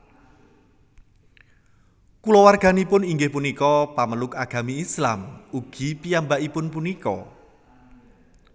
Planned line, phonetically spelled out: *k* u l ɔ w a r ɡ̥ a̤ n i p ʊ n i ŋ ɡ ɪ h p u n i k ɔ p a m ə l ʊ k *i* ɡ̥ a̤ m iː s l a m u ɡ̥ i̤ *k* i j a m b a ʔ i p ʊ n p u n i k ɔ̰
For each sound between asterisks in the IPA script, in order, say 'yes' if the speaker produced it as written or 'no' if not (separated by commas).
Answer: yes, no, no